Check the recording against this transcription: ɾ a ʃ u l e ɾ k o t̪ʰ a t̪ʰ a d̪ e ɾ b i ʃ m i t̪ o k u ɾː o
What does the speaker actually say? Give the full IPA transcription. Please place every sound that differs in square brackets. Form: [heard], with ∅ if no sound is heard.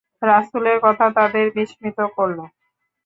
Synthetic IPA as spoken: ɾ a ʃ u l e ɾ k [ɔ] t̪ʰ a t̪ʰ a d̪ e ɾ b i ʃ m i t̪ o k [o] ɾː o